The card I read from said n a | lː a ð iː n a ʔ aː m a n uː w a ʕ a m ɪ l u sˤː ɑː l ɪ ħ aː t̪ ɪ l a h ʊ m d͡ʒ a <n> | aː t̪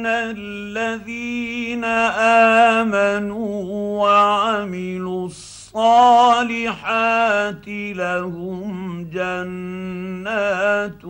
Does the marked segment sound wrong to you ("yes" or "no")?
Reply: yes